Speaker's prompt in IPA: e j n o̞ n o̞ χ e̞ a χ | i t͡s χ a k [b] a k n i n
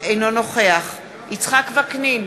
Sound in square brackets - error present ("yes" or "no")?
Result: yes